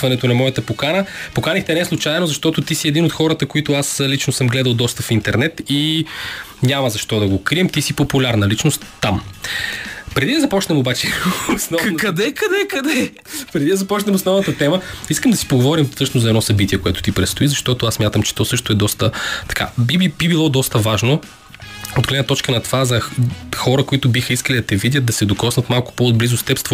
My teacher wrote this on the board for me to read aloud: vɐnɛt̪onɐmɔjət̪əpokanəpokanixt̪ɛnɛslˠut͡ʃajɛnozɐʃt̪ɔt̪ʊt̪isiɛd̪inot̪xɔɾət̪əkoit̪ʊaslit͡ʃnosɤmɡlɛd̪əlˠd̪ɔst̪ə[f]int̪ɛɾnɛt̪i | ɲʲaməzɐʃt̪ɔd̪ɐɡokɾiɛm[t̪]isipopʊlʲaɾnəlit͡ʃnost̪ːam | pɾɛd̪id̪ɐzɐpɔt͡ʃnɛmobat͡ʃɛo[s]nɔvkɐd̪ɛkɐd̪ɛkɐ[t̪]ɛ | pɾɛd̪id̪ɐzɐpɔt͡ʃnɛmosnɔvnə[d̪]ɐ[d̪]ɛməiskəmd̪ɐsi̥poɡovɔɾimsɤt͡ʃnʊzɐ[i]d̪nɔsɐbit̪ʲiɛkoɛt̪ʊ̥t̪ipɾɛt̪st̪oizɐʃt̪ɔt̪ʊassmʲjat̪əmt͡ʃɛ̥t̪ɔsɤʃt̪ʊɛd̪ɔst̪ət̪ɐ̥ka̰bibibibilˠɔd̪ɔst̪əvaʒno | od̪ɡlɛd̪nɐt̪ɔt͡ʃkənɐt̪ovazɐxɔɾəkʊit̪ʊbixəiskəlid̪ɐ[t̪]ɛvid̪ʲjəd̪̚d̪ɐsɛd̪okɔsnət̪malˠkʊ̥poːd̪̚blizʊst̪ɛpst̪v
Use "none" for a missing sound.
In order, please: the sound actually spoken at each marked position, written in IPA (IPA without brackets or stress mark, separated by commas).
f, t̪, s, d̪, t̪, t̪, ɛ, t̪